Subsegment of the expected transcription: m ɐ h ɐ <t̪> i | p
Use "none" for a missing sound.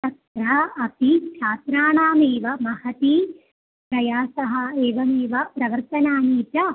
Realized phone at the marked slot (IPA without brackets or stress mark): t̪